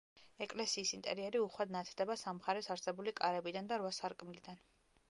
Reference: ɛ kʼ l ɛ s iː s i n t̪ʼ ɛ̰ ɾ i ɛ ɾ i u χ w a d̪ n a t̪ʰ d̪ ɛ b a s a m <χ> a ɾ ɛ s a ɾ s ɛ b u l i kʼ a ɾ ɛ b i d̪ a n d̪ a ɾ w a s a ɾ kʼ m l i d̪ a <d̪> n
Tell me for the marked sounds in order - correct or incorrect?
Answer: correct, incorrect

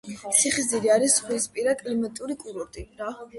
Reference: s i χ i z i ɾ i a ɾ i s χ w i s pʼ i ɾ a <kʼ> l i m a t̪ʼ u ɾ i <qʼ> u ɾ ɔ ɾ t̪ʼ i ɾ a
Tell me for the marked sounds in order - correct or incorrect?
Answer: correct, incorrect

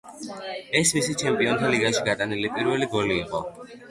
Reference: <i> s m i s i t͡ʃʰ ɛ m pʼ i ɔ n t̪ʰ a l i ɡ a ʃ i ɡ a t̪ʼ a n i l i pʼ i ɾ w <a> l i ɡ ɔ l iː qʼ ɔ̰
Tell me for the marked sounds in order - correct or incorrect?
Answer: incorrect, incorrect

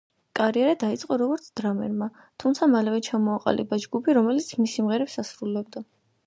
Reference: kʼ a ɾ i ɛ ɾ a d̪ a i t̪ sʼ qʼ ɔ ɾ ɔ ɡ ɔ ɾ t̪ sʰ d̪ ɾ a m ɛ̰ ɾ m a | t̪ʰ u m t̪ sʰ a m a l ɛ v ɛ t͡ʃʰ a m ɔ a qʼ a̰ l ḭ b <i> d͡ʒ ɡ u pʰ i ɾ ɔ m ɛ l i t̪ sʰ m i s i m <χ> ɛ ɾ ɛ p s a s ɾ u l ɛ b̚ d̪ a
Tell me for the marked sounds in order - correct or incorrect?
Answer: incorrect, incorrect

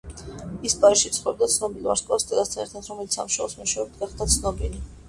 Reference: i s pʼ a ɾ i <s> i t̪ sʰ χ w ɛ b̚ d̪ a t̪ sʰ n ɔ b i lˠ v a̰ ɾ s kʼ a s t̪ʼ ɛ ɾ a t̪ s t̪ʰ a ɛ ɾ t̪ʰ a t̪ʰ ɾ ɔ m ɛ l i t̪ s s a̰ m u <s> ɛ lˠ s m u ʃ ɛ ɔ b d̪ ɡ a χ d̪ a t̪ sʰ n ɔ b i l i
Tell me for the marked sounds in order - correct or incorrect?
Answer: incorrect, incorrect

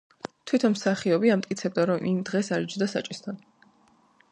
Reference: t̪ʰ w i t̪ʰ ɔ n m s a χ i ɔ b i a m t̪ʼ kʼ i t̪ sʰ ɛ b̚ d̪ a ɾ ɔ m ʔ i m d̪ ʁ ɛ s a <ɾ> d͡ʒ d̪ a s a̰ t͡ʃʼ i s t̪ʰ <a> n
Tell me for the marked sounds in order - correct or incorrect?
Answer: correct, correct

